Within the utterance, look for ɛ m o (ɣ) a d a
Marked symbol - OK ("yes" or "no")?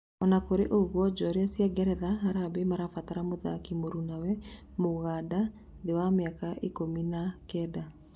yes